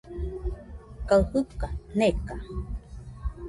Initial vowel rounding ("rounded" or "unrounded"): unrounded